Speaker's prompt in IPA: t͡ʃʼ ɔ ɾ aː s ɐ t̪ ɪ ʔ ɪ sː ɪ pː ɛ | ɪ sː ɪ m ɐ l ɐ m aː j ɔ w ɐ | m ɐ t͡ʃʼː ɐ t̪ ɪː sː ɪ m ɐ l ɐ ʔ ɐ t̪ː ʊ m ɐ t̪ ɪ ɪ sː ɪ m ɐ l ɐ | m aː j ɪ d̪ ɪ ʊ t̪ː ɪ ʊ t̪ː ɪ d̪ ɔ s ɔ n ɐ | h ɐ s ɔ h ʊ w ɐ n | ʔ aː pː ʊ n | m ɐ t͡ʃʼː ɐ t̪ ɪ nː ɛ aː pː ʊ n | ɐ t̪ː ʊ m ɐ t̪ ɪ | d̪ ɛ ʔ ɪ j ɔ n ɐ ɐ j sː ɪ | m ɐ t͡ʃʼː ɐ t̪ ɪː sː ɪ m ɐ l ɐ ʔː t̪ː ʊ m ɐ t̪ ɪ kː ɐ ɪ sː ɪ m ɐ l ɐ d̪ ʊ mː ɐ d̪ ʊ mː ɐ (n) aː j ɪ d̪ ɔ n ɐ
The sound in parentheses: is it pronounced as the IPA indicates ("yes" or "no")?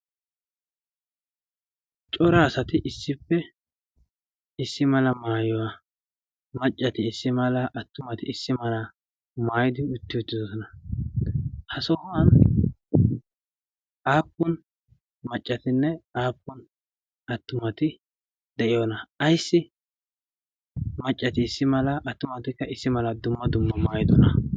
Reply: no